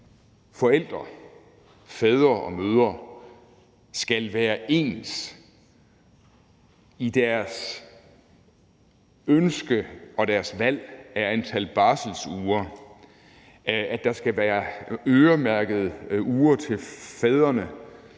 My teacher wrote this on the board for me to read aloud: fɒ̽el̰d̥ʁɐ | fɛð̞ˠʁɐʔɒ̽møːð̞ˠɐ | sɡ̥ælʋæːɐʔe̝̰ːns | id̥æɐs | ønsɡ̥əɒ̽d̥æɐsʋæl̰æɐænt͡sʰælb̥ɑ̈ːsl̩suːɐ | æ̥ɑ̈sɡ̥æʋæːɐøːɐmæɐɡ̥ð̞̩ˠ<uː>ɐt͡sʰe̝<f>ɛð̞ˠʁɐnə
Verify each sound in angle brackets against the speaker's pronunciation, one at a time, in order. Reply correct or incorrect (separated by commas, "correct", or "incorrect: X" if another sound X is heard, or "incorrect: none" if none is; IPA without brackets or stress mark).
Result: correct, correct